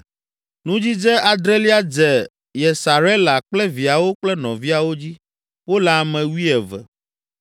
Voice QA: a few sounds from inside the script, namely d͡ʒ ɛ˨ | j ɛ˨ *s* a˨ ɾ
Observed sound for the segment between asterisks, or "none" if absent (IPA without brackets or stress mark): s